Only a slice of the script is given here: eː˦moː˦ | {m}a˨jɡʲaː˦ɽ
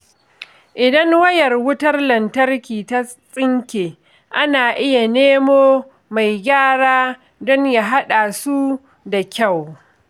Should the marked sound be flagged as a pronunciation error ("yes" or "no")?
no